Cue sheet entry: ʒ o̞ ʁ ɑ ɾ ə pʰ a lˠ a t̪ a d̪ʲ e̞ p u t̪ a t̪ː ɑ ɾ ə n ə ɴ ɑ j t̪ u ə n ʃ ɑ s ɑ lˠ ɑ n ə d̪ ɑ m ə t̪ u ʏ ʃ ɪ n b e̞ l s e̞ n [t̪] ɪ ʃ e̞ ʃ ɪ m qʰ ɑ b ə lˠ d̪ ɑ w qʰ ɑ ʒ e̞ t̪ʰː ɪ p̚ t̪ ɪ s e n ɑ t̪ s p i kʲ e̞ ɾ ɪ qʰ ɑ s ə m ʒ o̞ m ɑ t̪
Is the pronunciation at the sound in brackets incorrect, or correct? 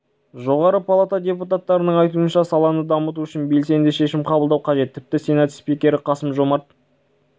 incorrect